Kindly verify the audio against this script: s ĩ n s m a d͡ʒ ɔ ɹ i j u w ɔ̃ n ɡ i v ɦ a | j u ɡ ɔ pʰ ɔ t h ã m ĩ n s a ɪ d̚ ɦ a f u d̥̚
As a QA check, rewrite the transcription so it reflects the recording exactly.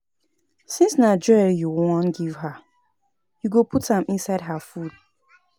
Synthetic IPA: s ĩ n s n a d͡ʒ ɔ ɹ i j u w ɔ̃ n ɡ i v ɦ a | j u ɡ o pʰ u t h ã m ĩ n s a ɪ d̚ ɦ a f u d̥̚